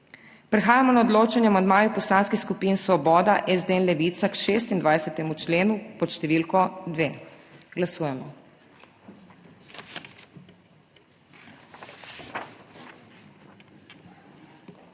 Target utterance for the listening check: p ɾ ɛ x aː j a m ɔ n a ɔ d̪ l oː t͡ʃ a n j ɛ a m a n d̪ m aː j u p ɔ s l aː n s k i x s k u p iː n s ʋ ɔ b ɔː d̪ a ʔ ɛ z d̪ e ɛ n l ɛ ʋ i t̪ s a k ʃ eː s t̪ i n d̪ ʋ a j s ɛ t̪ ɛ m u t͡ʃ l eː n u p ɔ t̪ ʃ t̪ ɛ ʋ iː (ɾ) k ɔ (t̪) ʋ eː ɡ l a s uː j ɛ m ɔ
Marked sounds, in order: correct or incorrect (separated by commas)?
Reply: incorrect, incorrect